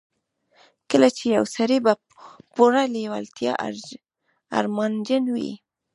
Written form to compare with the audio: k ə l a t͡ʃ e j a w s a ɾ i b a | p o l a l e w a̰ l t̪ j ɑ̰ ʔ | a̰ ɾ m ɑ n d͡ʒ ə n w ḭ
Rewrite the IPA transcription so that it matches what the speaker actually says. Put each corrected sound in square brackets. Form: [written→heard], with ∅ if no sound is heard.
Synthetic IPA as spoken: k ə l a t͡ʃ e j a w s a ɾ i b a | p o [l→ɾ] a l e w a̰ l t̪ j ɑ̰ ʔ | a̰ ɾ m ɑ n d͡ʒ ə n w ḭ